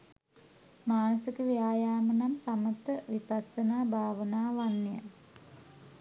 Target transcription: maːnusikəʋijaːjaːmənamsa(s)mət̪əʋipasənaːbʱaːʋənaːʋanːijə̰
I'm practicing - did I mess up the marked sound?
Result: yes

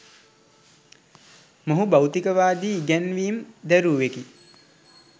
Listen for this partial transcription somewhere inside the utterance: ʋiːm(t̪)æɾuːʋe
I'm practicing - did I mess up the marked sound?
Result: yes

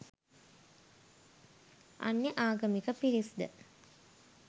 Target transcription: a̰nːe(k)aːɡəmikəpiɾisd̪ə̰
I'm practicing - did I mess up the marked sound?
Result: yes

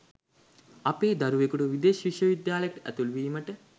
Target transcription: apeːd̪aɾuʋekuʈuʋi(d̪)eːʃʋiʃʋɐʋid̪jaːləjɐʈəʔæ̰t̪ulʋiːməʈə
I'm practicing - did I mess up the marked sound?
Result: no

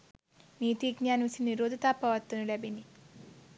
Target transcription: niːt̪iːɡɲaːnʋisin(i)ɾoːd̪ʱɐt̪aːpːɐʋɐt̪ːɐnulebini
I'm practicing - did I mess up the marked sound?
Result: no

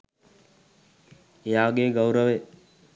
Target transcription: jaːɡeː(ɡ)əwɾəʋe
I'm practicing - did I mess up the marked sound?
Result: no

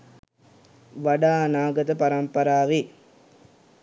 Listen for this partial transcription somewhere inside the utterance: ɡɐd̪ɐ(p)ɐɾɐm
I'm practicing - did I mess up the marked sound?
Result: no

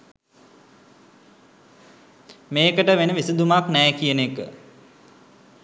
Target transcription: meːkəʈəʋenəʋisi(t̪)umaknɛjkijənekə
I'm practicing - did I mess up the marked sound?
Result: yes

